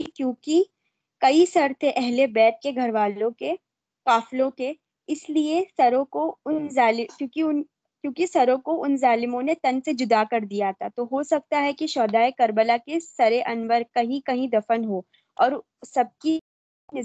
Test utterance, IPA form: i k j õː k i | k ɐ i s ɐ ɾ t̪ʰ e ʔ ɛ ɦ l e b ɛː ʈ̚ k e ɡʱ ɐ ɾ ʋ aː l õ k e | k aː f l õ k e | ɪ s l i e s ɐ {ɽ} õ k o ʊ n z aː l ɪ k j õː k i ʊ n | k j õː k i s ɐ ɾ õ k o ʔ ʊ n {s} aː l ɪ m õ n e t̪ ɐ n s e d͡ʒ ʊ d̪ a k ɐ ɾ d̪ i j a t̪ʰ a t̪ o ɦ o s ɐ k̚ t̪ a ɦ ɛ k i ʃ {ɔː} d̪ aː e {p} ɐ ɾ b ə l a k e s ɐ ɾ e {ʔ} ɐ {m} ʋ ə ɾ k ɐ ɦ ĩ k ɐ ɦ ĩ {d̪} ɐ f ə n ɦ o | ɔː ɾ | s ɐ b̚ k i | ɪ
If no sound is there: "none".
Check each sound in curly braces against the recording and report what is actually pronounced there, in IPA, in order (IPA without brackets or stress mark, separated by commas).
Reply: ɾ, z, ɔː, k, ʔ, n, d̪